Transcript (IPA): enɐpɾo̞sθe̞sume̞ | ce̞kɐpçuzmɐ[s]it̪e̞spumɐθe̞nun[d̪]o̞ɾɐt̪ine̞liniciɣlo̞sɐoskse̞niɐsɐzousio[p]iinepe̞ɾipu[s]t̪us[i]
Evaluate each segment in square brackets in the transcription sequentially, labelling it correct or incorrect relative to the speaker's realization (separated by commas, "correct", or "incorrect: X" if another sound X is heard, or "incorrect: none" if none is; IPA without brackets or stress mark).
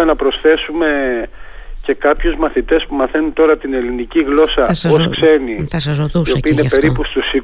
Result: incorrect: θ, incorrect: t̪, correct, correct, correct